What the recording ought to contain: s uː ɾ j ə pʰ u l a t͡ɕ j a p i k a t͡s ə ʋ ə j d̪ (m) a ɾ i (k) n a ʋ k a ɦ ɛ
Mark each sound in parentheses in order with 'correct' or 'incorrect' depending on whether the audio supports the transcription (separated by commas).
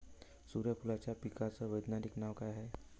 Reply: incorrect, correct